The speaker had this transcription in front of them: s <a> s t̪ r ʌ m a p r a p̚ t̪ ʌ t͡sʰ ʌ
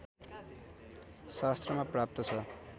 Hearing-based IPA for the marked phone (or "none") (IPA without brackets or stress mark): a